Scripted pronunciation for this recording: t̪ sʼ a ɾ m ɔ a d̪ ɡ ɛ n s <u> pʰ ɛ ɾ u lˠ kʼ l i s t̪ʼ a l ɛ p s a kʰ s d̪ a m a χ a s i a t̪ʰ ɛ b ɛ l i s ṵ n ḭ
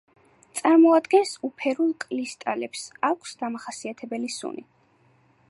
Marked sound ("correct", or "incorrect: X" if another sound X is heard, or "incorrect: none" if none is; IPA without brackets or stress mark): correct